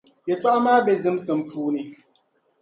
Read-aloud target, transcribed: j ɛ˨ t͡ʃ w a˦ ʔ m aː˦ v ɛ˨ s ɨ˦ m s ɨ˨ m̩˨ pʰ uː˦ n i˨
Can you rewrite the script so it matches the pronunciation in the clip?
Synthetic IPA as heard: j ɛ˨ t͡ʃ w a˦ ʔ m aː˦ b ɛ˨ z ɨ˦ m s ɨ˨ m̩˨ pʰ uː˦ n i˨